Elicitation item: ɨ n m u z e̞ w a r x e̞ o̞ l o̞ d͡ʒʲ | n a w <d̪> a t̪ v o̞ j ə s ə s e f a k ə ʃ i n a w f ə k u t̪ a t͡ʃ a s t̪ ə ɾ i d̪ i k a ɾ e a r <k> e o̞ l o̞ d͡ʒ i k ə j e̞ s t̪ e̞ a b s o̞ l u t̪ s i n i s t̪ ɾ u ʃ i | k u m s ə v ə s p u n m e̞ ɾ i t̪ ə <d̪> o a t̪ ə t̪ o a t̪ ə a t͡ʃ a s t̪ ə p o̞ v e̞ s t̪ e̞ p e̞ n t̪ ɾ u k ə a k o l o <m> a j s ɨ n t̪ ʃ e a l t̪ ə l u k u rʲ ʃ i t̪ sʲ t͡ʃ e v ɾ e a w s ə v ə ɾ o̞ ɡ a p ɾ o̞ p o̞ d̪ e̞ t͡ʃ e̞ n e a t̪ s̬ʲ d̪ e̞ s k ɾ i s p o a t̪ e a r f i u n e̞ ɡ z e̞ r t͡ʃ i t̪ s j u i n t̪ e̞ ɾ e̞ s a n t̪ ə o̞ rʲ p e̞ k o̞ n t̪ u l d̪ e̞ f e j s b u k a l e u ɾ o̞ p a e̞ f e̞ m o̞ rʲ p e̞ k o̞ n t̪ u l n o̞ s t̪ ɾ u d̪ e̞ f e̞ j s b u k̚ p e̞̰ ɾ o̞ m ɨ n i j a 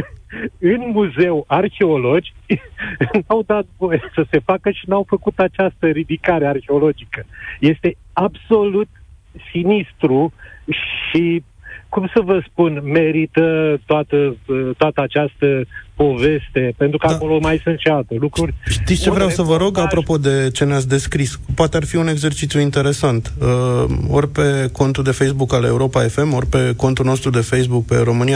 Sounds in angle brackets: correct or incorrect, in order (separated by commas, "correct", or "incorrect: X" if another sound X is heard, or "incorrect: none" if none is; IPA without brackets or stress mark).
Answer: correct, incorrect: x, incorrect: t̪, correct